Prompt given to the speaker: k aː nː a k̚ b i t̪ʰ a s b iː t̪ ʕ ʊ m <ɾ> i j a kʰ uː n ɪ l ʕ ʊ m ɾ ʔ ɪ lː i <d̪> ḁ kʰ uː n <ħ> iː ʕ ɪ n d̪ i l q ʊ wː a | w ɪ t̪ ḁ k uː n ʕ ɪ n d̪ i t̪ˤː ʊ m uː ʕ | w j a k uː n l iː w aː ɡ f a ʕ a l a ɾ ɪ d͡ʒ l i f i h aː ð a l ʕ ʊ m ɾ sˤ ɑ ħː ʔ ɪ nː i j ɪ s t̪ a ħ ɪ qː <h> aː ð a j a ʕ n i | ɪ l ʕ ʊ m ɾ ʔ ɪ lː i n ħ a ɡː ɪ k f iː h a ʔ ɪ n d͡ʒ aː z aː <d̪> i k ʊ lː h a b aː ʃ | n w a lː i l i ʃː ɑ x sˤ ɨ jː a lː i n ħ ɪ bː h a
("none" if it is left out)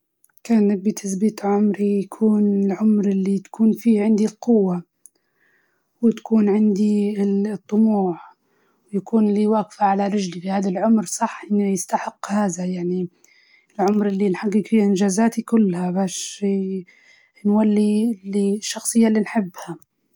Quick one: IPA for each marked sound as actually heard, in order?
ɾ, t̪, f, h, t̪

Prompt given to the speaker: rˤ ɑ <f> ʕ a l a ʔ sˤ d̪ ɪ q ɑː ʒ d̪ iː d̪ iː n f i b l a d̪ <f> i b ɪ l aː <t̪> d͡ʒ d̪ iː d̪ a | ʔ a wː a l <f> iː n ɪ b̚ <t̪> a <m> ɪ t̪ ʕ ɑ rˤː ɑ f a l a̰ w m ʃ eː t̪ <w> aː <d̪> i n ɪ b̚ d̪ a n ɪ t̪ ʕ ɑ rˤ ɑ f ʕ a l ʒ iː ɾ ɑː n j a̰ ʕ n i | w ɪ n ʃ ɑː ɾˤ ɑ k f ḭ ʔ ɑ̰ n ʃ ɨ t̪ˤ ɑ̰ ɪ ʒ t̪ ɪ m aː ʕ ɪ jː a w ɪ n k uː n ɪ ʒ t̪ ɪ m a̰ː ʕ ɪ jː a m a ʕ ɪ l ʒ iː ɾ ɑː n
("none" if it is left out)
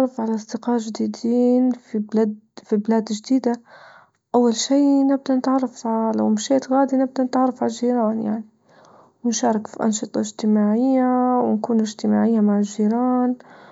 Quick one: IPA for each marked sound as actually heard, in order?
f, f, d̪, ʃ, d̪, n, ɣ, d̪

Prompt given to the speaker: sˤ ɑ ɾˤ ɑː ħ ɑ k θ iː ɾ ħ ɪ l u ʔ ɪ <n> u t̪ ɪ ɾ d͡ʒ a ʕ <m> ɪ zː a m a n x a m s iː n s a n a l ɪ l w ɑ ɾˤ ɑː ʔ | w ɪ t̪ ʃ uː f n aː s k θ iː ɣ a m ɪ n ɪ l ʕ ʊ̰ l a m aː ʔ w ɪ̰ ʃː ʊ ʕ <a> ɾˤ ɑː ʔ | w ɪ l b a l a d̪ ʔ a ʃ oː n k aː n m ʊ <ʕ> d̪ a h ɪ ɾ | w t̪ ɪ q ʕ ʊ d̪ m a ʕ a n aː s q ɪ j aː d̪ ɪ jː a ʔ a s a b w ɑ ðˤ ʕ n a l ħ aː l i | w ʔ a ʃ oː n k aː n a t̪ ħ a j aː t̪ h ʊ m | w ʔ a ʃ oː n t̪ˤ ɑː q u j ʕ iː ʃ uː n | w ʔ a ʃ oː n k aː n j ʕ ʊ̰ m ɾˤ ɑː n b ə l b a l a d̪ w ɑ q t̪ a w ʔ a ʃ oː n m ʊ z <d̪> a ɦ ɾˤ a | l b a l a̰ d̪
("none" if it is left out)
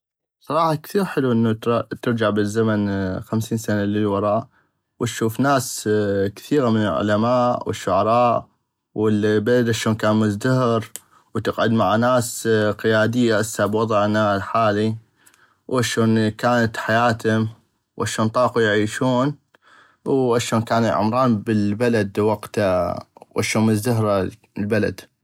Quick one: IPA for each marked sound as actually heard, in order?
nː, b, ɑ, z, d̪

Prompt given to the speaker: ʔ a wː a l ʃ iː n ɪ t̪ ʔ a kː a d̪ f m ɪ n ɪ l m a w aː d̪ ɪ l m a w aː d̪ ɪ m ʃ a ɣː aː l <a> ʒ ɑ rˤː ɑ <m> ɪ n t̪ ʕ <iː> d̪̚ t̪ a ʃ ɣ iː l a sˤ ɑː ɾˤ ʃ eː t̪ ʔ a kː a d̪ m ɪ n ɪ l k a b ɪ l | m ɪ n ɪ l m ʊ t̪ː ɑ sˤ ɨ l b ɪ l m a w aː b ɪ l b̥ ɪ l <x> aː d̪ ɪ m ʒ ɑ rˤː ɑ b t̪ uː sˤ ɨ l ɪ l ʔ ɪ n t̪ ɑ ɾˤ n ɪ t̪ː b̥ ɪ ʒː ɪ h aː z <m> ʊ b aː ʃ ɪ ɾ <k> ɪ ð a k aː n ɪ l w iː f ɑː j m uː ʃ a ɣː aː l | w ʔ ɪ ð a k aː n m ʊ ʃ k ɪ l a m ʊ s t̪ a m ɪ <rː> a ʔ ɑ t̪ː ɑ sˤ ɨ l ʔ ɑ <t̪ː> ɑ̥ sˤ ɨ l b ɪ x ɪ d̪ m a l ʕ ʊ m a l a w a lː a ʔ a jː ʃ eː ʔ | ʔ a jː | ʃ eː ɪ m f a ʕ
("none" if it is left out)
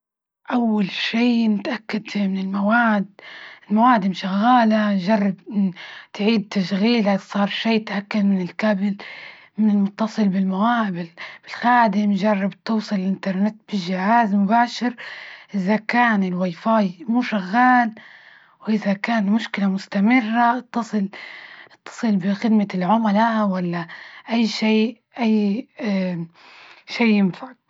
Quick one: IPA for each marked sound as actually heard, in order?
a, b, iː, x, m, ʔ, rː, t̪ː

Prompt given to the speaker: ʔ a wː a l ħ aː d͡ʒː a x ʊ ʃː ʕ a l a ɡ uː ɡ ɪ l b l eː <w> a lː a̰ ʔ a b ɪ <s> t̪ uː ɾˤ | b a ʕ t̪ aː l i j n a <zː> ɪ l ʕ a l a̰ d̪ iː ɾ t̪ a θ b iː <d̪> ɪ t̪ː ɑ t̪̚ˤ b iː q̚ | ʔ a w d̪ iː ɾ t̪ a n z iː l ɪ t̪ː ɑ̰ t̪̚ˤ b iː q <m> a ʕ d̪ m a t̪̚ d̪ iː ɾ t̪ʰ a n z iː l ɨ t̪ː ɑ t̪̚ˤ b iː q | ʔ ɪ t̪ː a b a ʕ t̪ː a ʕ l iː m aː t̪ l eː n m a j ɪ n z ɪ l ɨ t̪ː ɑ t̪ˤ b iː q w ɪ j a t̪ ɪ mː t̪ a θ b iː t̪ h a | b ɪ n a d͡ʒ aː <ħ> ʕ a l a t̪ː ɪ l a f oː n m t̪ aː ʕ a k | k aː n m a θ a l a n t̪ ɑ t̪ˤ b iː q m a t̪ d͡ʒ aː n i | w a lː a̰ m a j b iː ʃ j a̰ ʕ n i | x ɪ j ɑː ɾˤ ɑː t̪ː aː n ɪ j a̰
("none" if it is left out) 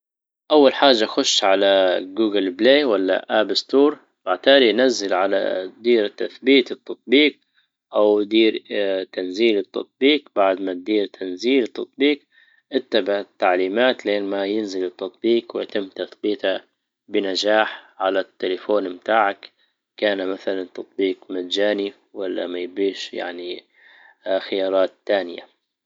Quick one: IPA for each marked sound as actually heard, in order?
w, s, zː, t̪, b, ħ

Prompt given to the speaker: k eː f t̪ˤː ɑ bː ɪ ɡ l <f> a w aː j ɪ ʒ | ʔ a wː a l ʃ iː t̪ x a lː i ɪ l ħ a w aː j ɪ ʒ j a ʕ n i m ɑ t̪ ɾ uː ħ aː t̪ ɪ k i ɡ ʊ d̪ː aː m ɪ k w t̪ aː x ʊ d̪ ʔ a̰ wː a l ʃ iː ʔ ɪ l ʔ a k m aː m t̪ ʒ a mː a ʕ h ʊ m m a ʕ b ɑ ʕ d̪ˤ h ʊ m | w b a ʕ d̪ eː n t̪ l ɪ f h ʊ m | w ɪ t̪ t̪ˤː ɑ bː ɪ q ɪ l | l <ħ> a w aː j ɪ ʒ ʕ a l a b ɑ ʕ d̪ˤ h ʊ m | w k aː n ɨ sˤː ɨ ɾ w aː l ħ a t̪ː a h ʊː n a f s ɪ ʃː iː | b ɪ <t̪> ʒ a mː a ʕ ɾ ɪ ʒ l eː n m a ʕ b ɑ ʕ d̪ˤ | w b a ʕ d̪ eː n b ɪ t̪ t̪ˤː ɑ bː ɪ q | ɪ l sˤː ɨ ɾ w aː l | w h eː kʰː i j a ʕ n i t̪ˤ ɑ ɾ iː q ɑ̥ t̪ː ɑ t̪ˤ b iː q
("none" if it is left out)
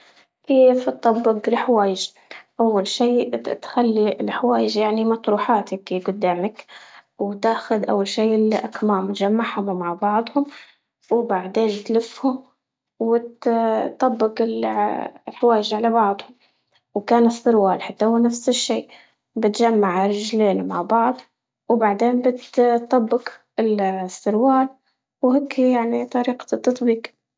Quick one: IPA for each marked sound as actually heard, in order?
ħ, ħ, t̪

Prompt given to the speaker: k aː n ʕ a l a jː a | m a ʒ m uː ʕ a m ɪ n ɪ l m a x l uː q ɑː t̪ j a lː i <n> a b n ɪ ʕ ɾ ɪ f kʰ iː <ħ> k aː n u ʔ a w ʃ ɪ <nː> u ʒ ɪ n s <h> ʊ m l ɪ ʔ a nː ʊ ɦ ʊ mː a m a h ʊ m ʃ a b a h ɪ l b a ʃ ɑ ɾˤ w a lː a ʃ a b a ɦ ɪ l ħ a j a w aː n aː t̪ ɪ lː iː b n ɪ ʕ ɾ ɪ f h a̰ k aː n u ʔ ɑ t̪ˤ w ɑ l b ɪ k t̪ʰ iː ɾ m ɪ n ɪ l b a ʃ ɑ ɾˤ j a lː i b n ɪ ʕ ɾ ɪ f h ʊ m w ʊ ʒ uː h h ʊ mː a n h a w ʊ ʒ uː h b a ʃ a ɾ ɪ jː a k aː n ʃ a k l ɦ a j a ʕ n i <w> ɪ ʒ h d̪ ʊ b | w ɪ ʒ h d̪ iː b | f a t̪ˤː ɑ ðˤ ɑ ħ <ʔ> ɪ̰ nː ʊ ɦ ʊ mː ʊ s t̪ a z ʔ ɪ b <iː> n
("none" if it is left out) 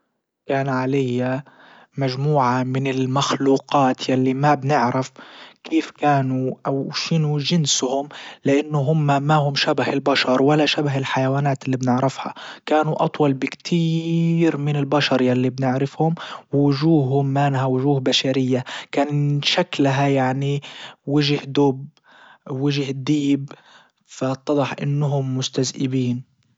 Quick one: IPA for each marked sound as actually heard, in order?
m, f, n, h, w, ʔ, iː

